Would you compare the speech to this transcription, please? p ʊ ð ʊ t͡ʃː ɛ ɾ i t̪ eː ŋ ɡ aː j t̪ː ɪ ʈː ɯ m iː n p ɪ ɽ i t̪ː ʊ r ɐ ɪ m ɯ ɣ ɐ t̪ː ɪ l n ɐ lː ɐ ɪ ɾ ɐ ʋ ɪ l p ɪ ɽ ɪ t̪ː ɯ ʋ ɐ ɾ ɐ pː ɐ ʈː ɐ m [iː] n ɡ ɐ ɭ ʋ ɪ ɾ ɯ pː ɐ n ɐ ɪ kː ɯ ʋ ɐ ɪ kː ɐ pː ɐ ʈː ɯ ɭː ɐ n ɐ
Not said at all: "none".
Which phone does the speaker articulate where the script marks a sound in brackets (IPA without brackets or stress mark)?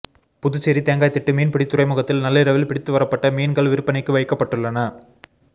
iː